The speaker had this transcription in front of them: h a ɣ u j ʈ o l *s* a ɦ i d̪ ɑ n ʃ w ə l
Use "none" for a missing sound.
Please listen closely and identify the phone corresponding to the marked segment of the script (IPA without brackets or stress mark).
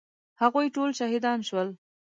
ʃ